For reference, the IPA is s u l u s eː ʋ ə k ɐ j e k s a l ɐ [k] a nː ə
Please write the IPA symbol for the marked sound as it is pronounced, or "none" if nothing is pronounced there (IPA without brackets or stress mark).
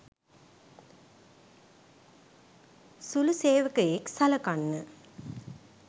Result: k